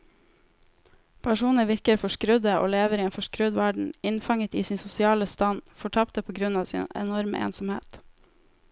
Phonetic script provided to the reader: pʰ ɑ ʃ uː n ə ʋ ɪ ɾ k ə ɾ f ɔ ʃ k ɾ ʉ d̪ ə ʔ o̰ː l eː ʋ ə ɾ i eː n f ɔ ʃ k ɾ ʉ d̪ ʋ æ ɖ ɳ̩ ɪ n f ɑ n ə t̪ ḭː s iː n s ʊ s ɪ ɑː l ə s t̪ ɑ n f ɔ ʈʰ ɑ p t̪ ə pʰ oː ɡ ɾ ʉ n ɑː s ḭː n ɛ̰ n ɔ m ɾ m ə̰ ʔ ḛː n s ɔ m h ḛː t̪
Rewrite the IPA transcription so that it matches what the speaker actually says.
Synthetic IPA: pʰ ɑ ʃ uː n ə ʋ ɪ ɾ k ə ɾ f ɔ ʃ k ɾ ʉ d̪ ə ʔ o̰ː l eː ʋ ə ɾ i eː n f ɔ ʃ k ɾ ʉ d̪ ʋ æ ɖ ɳ̩ ɪ n f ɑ ŋ ə t̪ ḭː s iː n s ʊ s ɪ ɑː l ə s t̪ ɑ n f ɔ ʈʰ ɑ p t̪ ə pʰ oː ɡ ɾ ʉ n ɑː s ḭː n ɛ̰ n ɔ ɾ m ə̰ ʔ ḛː n s ɔ m h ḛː t̪